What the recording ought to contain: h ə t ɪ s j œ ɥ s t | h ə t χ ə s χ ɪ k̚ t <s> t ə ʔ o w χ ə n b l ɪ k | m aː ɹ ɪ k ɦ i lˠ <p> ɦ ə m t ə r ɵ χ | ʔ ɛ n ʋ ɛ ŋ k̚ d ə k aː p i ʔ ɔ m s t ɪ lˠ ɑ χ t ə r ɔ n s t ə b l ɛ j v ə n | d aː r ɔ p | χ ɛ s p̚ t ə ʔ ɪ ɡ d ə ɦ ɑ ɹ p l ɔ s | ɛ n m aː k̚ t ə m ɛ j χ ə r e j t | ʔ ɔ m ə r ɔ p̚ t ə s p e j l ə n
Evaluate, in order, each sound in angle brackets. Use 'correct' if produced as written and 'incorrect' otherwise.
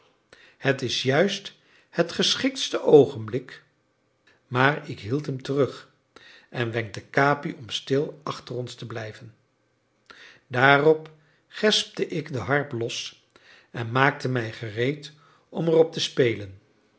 correct, incorrect

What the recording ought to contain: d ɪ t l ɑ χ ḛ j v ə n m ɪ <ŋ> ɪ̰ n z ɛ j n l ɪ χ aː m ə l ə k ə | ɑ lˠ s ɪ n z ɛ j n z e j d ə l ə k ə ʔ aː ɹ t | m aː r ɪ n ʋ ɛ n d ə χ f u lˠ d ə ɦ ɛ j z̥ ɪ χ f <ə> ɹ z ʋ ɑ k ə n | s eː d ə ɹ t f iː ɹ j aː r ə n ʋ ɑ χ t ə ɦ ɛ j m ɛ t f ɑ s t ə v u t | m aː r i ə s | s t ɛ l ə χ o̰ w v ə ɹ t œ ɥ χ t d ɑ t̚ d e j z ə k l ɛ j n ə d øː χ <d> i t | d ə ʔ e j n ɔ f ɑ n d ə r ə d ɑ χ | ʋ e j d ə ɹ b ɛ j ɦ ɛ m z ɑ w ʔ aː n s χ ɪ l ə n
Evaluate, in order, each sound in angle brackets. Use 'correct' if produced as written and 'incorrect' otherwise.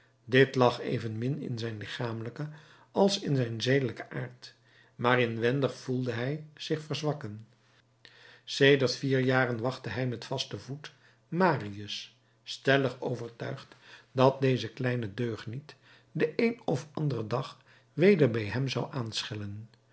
incorrect, correct, incorrect

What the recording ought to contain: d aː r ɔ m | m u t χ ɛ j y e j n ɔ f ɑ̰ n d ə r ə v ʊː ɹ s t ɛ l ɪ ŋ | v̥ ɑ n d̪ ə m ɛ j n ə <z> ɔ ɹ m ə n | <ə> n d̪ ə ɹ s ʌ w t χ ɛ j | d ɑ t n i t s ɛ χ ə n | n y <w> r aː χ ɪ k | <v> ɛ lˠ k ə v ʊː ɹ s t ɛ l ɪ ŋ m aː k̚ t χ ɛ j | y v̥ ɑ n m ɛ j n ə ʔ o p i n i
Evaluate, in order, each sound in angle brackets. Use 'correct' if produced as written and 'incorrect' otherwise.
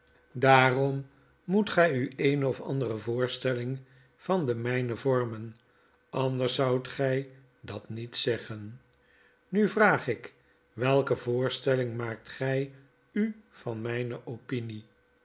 incorrect, incorrect, incorrect, incorrect

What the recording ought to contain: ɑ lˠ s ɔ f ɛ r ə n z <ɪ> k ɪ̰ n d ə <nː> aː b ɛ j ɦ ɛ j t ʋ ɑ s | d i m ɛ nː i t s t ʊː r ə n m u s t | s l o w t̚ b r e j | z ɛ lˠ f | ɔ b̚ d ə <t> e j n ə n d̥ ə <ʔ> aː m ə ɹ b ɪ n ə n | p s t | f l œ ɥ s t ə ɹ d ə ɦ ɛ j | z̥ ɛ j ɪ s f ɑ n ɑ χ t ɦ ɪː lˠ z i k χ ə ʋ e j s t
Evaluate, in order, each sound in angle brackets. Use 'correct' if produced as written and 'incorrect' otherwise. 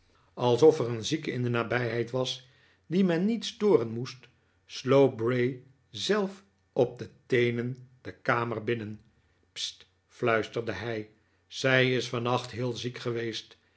incorrect, incorrect, correct, incorrect

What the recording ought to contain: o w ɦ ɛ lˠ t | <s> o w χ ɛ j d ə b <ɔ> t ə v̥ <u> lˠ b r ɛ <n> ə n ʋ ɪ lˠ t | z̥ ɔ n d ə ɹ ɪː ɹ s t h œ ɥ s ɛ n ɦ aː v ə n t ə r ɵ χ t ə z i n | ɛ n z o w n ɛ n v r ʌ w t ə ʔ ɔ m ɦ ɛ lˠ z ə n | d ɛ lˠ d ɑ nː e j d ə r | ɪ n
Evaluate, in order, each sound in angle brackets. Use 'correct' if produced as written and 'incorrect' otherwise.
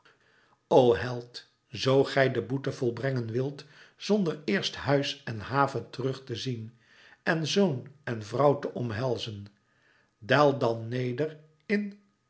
incorrect, incorrect, incorrect, incorrect

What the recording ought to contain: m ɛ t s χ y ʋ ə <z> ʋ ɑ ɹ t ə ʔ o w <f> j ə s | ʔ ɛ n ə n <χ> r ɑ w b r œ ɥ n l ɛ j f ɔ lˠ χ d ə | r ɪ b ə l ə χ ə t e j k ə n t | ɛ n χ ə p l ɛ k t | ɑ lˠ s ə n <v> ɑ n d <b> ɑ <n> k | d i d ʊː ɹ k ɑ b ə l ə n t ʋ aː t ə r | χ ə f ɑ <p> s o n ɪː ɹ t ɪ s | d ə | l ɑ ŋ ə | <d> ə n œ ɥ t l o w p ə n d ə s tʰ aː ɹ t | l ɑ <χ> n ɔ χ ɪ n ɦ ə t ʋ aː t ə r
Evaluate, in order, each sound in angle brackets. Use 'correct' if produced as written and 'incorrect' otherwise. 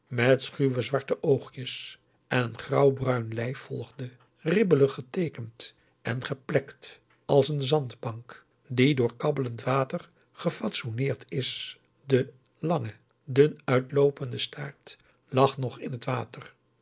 correct, incorrect, correct, incorrect, correct, incorrect, incorrect, correct, correct

